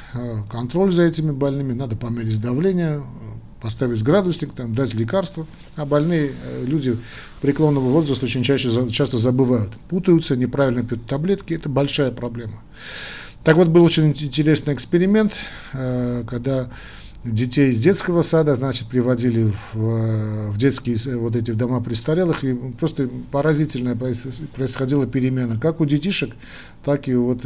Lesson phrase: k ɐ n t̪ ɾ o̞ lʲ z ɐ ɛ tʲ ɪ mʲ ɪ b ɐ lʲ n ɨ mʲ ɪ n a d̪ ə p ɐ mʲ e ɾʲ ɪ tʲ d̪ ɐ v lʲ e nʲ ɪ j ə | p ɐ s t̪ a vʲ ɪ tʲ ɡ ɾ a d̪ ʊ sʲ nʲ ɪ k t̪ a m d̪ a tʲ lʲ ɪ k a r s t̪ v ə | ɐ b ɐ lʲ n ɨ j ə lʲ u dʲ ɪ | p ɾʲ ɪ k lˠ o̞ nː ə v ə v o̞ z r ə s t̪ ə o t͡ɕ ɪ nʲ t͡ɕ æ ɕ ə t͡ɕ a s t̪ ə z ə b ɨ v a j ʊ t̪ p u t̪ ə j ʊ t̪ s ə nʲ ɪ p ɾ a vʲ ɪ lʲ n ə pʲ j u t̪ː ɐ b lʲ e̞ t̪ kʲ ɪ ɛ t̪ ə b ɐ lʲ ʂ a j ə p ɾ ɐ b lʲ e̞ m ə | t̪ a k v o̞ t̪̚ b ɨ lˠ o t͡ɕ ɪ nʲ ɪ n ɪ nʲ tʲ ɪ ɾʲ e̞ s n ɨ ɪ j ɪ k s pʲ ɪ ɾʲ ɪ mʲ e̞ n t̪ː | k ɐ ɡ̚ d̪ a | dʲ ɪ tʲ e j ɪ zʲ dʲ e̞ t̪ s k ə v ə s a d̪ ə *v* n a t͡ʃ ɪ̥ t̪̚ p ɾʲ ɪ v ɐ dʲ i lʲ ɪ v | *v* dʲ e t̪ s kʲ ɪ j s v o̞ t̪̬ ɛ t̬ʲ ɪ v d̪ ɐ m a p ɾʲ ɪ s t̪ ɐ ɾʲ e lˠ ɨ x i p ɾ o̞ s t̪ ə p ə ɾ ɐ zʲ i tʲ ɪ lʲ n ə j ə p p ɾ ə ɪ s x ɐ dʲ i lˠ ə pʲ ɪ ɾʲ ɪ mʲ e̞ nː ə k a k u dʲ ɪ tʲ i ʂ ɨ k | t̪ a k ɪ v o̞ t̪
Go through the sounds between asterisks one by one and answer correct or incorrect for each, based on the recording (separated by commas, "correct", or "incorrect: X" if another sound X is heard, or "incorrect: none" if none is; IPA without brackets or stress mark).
incorrect: z, correct